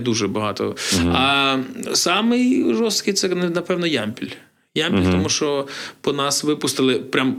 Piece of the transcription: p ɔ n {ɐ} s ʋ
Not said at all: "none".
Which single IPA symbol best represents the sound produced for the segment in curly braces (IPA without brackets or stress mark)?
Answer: ɑ